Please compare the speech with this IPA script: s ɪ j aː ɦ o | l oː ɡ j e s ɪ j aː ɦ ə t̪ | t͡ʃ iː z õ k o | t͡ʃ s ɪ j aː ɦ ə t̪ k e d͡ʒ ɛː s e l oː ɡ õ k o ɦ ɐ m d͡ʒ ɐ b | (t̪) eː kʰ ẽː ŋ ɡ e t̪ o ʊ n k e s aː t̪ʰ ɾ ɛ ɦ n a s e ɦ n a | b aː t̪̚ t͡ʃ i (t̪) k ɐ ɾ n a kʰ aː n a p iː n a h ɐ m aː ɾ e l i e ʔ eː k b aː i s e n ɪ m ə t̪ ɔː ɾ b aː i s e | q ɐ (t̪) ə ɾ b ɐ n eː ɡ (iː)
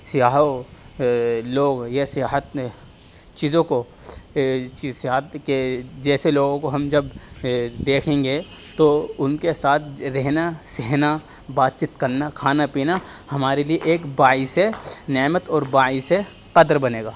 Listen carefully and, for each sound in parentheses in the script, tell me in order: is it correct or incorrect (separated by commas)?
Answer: incorrect, correct, incorrect, incorrect